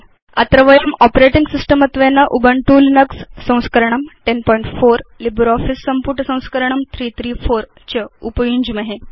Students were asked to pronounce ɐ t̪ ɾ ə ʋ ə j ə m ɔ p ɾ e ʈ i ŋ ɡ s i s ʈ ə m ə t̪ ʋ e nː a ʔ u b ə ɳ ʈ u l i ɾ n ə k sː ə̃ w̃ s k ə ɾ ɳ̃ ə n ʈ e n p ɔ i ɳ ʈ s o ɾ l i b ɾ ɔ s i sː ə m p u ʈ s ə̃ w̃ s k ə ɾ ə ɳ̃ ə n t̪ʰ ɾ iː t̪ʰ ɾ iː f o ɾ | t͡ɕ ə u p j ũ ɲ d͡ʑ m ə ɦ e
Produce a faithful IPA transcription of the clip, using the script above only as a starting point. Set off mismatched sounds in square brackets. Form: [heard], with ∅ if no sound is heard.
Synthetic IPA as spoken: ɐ t̪ ɾ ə ʋ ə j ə m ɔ p ɾ e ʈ i ŋ ɡ s i s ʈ ə m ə t̪ ʋ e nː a ʔ u b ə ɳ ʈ u l i [∅] n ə k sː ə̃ w̃ s k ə ɾ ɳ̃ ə [m] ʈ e n p ɔ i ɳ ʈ [f] o ɾ l i b ɾ ɔ [f] i sː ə m p u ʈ s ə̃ w̃ s k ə ɾ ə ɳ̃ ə [m] t̪ʰ ɾ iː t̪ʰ ɾ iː f o ɾ | t͡ɕ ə u p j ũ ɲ d͡ʑ m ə ɦ e